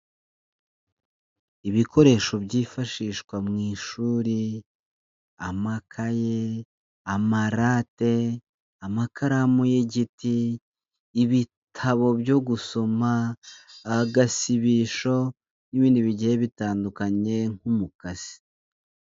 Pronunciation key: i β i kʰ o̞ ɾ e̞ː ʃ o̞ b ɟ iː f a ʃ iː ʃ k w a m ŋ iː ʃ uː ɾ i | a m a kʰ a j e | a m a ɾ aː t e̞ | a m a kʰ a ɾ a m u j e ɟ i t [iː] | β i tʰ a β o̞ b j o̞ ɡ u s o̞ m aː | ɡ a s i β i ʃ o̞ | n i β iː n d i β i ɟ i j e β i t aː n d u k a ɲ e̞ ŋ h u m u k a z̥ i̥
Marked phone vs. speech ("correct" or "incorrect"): correct